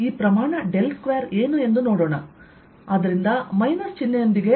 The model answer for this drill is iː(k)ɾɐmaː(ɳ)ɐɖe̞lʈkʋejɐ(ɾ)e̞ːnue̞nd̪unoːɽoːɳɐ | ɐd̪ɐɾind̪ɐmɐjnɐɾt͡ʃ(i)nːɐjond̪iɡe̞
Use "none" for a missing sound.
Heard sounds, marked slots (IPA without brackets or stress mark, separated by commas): p, ɳ, ɾ, i